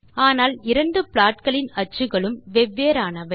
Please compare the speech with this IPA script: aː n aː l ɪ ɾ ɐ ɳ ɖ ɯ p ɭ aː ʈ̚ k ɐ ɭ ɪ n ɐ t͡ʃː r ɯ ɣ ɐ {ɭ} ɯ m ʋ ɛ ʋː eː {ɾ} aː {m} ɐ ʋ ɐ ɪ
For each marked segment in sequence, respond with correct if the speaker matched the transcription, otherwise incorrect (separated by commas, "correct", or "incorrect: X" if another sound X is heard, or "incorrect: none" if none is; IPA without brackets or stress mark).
correct, correct, incorrect: n